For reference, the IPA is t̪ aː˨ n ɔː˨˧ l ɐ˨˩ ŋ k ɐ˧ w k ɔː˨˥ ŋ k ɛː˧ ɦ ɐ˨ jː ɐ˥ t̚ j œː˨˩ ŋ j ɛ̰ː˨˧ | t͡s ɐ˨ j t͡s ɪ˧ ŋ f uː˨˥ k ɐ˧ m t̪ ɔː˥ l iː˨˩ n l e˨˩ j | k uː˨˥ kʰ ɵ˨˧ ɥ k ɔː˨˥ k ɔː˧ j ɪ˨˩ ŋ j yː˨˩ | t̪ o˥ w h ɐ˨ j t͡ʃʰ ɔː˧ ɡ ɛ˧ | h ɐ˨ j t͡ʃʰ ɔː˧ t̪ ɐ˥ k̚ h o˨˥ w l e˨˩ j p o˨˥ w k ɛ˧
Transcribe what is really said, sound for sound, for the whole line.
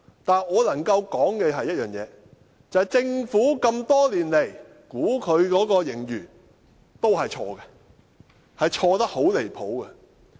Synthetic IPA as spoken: t̪ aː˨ n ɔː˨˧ l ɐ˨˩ ŋ k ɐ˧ w k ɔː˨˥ ŋ k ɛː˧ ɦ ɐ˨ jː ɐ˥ t̚ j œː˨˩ ŋ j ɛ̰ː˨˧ | t͡s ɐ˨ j t͡s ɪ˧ ŋ f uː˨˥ k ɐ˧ m t̪ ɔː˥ l iː˨˩ n l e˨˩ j | k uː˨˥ kʰ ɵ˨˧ ɥ k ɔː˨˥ k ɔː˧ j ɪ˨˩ ŋ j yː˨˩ | t̪ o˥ w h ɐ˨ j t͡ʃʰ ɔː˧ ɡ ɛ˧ | h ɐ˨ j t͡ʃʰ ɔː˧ t̪ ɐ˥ k̚ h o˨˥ w l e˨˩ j pʰ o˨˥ w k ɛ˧